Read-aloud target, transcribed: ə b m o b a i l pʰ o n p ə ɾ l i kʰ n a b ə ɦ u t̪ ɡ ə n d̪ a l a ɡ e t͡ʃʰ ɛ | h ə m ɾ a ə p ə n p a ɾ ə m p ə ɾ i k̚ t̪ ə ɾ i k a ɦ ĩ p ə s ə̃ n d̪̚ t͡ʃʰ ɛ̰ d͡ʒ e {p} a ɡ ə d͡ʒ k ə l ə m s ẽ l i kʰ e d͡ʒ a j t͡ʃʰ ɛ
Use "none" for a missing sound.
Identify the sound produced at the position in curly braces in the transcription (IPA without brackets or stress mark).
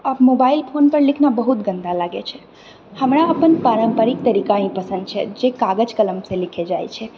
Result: k